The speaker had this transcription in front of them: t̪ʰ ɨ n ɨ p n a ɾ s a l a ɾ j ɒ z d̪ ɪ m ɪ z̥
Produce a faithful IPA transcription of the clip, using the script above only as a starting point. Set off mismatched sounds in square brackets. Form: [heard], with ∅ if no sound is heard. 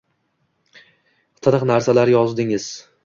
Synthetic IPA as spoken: t̪ʰ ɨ n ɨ [q] n a ɾ s a l a ɾ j ɒ z d̪ ɪ [ŋ] ɪ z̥